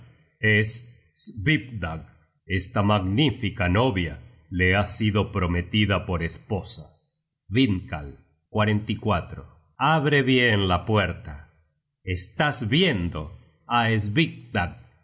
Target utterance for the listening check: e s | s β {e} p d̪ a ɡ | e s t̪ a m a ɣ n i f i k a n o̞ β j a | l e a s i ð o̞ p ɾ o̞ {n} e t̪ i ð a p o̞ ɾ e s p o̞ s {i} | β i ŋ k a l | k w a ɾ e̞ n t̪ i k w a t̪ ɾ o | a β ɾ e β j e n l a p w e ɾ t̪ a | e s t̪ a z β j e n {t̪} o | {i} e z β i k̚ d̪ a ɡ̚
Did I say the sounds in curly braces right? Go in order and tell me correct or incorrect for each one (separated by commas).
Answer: incorrect, incorrect, incorrect, incorrect, incorrect